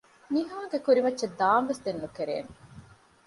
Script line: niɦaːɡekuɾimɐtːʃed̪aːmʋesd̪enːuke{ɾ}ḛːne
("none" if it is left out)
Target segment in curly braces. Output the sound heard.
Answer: ɾ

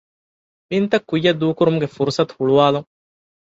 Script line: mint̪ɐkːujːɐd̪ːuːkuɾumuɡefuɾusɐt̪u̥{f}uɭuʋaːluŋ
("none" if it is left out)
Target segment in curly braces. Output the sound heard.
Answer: h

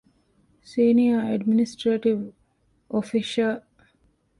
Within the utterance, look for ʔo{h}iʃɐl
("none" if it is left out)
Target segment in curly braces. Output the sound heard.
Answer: f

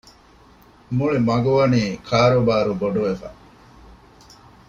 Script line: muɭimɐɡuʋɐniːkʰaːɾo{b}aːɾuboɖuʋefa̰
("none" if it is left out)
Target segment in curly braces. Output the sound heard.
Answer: b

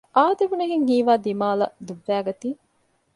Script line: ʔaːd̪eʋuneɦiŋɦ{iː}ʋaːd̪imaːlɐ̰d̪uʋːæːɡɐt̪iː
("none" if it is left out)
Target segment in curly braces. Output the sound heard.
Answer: iː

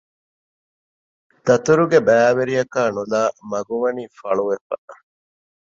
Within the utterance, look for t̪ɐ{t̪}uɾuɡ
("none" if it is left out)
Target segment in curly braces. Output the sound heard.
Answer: t̪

